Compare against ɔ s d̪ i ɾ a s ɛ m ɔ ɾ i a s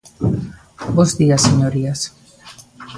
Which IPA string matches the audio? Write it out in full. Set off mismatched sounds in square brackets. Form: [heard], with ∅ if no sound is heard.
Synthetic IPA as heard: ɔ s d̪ i [∅] a s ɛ [ɲ] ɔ ɾ i a s